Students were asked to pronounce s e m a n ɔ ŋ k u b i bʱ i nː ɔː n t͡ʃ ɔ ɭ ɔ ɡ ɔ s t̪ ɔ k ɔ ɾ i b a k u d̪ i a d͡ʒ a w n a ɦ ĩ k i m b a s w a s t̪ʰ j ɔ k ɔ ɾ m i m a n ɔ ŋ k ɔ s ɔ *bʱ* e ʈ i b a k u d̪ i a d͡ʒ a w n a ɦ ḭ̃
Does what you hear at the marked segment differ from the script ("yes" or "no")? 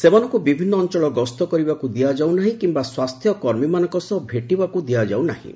no